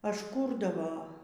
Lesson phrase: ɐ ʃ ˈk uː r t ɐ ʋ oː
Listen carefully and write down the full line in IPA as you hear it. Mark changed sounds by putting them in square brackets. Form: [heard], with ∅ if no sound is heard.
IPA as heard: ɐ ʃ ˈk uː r [d] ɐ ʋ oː